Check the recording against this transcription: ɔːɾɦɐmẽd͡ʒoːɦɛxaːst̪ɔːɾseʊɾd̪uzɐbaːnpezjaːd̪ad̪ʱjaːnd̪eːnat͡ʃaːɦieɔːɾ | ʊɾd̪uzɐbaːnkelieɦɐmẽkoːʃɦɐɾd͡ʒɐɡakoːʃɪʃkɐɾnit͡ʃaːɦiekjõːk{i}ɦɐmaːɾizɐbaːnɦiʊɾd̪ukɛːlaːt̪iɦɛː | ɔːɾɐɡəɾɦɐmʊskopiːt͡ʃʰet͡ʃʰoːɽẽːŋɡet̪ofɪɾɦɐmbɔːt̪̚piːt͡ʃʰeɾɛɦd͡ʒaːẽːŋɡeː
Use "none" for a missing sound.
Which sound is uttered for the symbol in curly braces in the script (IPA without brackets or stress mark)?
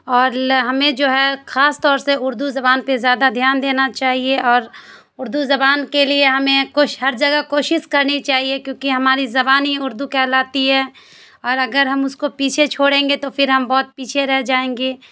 i